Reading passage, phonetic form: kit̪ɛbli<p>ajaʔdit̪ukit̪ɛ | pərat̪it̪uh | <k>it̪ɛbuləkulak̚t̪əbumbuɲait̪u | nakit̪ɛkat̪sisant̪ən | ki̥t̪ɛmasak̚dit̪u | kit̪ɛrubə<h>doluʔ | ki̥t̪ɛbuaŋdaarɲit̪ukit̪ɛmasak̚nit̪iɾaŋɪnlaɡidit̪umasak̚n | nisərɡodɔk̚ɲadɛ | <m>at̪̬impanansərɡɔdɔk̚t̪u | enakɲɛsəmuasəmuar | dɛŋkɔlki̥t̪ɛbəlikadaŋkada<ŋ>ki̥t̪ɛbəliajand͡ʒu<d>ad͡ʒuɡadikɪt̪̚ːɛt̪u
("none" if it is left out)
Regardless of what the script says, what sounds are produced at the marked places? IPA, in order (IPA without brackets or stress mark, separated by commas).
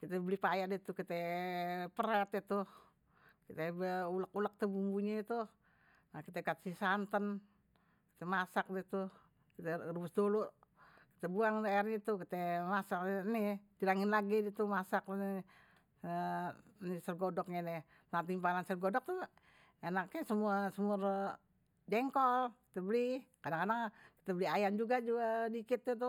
p, k, s, n, ŋ, ɡ